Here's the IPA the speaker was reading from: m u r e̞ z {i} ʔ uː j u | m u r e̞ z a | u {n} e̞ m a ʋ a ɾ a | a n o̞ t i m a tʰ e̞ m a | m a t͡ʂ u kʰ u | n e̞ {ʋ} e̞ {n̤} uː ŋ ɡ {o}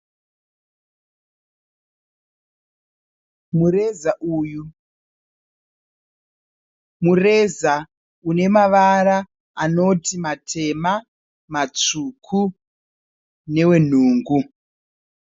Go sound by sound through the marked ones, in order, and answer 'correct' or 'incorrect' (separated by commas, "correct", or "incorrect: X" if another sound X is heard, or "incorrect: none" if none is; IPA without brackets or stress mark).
incorrect: a, correct, incorrect: w, correct, incorrect: u